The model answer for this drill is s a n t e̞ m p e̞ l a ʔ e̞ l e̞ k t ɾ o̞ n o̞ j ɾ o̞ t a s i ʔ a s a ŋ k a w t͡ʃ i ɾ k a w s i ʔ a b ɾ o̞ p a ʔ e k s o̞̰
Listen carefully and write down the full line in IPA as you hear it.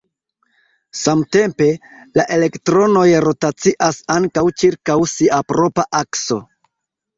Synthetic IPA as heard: s a m t e̞ m p e̞ l a ʔ e̞ l e̞ k t ɾ o̞ n o̞ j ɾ o̞ t a t͡s i ʔ a s a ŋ k a w t͡ʃ i ɾ k a w s i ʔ a p ɾ o̞ p a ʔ a k s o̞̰